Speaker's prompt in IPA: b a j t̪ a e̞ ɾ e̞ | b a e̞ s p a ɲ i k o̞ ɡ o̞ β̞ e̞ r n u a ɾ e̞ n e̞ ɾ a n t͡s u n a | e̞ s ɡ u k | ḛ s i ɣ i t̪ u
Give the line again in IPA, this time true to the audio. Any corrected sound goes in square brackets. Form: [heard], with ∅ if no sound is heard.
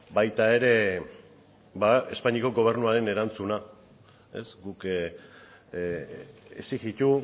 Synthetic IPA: b a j t̪ a e̞ ɾ e̞ | b a e̞ s p a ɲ i k o̞ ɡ o̞ β̞ e̞ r n u a ɾ e̞ n e̞ ɾ a n t͡s u n a | e̞ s ɡ u k | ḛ s i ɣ i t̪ u